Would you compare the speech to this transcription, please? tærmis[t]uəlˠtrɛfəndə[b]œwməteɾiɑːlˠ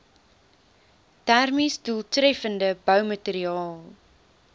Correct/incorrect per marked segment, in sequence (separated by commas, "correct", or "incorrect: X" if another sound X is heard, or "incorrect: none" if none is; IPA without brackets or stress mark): incorrect: d, correct